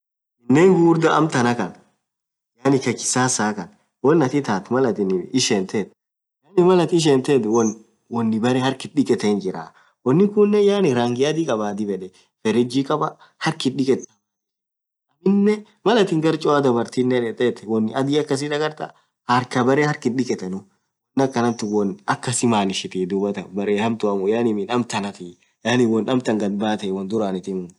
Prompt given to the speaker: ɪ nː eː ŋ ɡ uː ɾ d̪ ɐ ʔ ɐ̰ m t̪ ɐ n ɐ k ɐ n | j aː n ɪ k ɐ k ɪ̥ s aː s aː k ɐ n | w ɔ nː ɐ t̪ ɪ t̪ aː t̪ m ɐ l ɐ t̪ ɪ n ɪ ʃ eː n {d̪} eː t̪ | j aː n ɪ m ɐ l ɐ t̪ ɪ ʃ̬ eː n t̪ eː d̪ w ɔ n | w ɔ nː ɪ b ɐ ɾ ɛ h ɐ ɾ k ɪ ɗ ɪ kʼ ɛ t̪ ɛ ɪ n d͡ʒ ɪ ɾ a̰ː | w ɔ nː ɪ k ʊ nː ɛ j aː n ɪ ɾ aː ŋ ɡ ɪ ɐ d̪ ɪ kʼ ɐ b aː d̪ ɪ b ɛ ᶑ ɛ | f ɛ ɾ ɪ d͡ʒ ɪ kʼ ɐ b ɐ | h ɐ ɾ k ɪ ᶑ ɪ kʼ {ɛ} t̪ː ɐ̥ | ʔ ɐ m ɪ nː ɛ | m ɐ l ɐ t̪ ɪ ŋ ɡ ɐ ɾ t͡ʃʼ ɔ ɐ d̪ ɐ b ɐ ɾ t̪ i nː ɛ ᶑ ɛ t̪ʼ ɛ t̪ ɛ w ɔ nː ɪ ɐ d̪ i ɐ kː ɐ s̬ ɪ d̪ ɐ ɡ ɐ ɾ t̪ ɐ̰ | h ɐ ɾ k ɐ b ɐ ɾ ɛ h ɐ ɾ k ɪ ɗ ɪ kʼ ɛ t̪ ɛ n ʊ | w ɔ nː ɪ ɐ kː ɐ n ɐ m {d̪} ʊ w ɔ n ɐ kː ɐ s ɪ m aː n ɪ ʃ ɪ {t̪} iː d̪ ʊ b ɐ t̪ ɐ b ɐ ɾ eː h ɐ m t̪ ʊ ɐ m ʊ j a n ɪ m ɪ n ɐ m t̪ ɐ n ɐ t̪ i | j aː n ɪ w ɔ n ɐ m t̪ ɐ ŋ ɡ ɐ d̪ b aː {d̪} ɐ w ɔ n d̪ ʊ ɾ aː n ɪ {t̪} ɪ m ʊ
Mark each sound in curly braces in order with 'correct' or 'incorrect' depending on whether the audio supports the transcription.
incorrect, correct, incorrect, correct, incorrect, correct

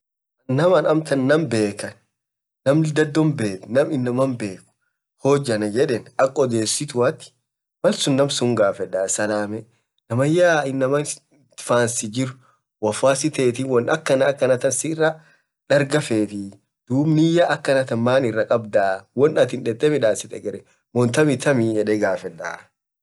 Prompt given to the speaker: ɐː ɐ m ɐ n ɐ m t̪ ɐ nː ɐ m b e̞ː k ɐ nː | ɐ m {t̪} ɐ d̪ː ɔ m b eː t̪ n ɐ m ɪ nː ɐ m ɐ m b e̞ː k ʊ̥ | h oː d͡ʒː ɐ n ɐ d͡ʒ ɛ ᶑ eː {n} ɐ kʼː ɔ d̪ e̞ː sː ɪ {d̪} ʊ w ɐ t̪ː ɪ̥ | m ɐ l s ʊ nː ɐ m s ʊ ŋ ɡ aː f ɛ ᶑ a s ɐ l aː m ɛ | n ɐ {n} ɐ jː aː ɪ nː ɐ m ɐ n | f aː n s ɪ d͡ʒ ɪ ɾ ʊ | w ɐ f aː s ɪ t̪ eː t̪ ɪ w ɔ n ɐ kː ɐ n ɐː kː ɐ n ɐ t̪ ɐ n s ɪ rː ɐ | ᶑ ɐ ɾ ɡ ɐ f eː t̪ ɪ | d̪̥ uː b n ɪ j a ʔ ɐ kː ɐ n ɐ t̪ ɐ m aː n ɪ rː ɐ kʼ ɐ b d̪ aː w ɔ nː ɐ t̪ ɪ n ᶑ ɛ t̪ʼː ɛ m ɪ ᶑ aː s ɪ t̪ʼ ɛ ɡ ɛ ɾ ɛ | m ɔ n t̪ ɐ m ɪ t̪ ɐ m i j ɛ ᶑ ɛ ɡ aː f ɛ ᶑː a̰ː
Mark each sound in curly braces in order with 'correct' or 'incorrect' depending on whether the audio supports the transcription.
incorrect, correct, incorrect, incorrect

